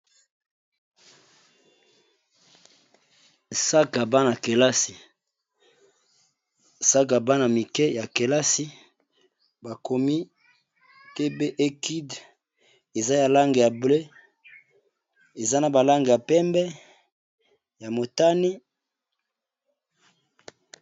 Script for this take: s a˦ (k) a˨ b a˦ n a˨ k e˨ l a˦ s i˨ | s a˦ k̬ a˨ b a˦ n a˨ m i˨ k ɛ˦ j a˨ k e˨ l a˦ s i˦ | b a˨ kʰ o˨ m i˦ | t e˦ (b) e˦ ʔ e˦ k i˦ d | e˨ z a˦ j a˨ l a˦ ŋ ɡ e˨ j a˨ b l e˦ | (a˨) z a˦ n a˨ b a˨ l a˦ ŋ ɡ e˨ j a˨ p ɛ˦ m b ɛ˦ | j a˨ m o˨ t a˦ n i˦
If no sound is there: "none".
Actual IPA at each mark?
k, b, e˨

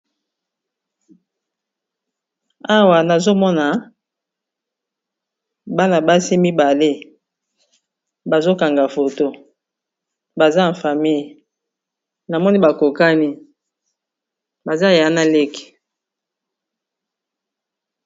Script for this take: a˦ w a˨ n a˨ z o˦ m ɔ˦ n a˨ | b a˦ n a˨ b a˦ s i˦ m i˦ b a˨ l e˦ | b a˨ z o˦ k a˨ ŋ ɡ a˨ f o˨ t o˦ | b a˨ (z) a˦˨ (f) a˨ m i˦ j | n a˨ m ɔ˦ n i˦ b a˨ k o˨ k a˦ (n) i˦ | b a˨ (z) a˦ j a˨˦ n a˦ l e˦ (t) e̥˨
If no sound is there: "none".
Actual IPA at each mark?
z, f, n, z, k

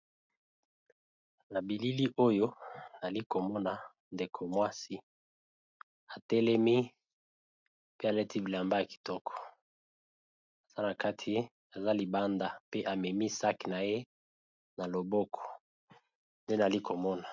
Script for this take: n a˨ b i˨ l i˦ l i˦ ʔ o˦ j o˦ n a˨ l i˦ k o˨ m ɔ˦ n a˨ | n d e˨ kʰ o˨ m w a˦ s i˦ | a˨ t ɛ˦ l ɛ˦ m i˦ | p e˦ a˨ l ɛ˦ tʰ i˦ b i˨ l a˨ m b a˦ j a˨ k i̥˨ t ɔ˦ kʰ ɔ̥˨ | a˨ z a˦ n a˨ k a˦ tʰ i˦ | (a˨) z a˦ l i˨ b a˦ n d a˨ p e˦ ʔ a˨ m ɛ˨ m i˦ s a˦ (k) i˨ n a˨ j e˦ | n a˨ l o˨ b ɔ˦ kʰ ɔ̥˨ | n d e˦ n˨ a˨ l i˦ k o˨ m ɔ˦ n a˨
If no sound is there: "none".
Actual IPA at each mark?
a˨, k

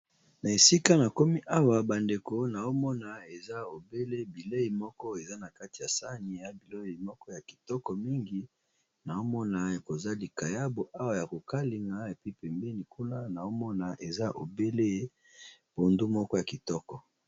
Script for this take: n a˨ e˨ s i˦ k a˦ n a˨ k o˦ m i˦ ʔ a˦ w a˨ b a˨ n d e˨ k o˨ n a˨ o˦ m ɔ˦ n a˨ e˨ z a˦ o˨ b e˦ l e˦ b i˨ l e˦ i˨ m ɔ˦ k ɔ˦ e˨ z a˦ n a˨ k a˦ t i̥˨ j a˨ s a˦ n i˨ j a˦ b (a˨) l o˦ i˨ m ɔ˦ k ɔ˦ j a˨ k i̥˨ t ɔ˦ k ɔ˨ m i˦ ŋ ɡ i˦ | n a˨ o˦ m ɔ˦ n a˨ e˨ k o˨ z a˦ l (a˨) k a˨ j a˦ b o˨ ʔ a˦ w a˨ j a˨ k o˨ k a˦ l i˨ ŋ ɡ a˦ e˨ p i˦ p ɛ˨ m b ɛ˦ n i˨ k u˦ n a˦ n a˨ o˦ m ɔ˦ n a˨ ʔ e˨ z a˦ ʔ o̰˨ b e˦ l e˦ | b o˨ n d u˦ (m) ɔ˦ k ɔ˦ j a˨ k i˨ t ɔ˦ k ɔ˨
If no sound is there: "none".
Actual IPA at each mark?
i˨, i˨, m

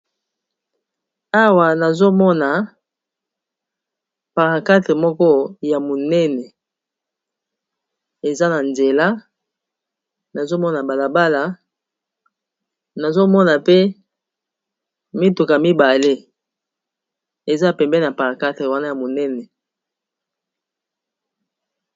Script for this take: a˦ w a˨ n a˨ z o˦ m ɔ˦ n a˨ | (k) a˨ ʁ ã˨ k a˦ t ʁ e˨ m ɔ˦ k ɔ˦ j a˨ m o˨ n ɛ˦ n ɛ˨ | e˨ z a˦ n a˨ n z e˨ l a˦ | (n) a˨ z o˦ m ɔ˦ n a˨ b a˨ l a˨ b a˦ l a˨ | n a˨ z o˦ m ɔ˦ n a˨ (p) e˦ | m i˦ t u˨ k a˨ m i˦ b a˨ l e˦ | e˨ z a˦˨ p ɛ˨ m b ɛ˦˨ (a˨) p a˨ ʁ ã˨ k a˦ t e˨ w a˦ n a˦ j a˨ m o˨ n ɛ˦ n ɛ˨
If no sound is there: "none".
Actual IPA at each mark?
p, n, p, a˨

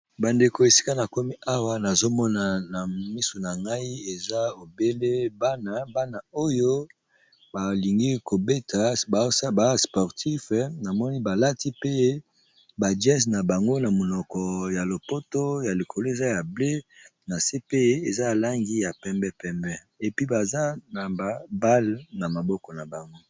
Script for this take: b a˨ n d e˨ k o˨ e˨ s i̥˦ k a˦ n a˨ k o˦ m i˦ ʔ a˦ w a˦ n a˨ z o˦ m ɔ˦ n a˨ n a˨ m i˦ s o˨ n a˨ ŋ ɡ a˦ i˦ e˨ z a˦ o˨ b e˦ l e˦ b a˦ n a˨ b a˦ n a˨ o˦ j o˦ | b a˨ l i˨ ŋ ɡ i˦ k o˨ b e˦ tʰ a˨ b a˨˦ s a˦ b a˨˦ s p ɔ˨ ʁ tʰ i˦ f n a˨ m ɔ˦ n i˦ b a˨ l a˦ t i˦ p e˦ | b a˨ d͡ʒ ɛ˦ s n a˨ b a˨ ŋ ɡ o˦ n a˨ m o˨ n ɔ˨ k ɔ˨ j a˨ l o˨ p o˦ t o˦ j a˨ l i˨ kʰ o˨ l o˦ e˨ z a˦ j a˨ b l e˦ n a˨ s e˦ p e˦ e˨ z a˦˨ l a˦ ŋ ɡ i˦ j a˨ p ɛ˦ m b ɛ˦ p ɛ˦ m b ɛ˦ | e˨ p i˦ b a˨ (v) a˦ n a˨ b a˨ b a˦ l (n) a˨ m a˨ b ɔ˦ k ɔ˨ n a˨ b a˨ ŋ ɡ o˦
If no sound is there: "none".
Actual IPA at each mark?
z, n

